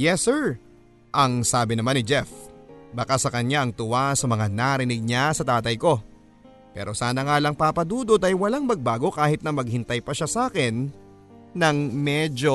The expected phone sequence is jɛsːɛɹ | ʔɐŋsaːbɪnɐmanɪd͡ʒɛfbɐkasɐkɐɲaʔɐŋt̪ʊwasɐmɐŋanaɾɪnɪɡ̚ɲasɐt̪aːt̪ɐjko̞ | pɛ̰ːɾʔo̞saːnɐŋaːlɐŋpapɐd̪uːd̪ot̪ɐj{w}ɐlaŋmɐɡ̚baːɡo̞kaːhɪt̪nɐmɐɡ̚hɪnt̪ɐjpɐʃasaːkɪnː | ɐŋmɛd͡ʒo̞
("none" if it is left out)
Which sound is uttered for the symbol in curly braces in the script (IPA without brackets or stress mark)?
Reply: w